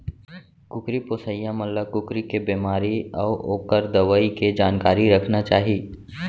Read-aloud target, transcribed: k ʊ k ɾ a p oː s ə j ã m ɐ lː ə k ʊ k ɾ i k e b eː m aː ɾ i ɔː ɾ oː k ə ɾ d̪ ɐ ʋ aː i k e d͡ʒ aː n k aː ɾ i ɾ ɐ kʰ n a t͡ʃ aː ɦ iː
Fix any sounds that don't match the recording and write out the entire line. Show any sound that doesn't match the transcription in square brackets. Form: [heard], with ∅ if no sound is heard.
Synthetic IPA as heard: k ʊ k ɾ [i] p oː s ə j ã m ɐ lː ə k ʊ k ɾ i k e b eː m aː ɾ i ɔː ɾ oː k ə ɾ d̪ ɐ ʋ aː i k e d͡ʒ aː n k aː ɾ i ɾ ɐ kʰ n a t͡ʃ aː ɦ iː